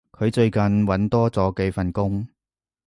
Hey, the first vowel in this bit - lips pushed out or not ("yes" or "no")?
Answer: yes